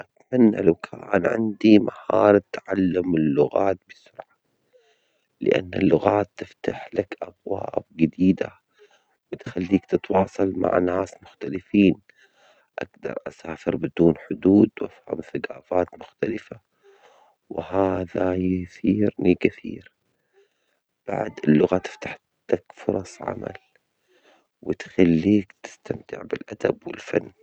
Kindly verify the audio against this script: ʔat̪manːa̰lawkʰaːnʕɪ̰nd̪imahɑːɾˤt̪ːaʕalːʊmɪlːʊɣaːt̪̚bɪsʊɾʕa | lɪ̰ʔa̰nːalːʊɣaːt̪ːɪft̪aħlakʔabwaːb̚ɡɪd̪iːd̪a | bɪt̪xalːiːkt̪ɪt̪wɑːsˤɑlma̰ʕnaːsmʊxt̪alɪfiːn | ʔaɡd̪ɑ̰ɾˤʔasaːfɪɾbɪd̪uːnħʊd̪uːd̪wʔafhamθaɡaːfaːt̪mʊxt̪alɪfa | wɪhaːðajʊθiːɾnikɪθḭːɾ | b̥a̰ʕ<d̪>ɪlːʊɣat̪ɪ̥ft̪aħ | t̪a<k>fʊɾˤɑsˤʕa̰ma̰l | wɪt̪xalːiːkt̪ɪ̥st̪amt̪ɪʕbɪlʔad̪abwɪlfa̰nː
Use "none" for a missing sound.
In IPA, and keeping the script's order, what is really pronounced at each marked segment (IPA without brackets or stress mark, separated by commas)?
d̪, k